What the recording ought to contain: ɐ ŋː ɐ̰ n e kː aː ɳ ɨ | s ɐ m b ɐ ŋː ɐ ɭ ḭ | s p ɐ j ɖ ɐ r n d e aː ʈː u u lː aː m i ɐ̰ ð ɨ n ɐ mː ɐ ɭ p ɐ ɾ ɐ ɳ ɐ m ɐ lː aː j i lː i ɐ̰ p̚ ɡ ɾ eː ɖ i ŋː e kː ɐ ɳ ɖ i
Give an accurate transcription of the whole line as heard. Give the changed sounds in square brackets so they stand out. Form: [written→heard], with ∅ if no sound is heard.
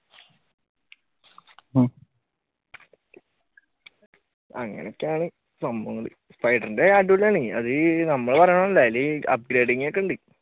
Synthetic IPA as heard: ɐ ŋː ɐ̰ n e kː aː ɳ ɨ | s ɐ m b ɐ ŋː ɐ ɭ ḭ | s p ɐ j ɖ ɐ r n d e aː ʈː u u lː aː [m→ɳ] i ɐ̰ ð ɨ n ɐ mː ɐ ɭ p ɐ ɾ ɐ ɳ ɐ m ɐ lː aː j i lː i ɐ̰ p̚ ɡ ɾ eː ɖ i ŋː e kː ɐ ɳ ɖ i